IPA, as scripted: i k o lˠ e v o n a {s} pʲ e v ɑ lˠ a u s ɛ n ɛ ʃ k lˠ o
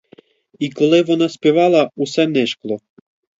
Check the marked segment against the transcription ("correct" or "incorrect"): correct